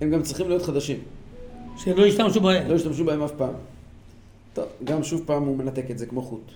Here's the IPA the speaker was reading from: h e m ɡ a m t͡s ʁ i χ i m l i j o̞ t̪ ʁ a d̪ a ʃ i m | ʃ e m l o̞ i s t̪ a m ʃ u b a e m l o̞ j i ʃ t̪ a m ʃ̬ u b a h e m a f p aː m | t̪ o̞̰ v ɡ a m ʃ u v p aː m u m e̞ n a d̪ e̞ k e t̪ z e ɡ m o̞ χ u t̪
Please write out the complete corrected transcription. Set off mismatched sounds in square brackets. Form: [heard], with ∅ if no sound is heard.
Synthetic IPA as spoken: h e m ɡ a m t͡s ʁ i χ i m l i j o̞ t̪ [χ] a d̪ a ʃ i m | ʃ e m l o̞ i [ʃ] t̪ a m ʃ u b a e m l o̞ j i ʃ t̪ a m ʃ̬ u b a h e m a f p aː m | t̪ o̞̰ v ɡ a m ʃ u v p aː m u m e̞ n a [t̪] e̞ k e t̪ z e [k] m o̞ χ u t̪